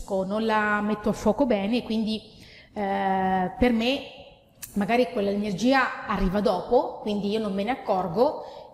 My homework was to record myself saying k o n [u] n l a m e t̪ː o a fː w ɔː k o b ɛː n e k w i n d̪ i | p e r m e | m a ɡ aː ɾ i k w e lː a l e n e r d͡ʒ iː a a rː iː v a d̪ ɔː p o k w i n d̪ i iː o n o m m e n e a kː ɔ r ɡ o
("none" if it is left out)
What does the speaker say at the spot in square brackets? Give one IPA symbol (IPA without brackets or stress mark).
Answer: o